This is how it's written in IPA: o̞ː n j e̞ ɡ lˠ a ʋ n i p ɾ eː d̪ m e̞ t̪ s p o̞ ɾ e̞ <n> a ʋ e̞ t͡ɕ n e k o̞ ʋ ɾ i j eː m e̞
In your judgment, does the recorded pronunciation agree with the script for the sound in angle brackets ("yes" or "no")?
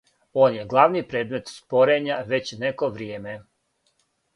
no